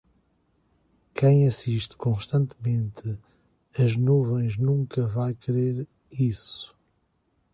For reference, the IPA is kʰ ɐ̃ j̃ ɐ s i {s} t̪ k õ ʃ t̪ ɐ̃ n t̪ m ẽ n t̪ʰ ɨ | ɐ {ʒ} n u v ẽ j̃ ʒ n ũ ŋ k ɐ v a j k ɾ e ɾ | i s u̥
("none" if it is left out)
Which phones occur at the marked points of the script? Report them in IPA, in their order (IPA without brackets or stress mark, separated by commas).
ʃ, ʒ